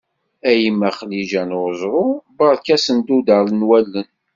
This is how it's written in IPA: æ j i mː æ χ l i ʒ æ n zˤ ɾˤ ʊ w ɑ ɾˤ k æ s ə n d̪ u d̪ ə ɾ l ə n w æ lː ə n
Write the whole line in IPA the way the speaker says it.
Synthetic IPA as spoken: æ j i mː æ χ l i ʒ æ n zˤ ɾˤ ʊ b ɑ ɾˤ k æ s ə n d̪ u d̪ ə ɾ l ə n w æ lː ə n